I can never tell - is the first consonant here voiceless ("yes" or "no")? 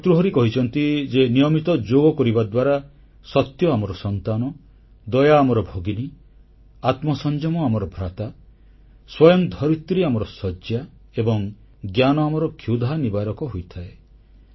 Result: yes